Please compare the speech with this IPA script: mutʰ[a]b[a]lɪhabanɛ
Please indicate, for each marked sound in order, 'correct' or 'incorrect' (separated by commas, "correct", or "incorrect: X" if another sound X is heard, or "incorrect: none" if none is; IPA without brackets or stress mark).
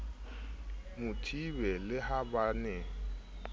incorrect: i, incorrect: ɛ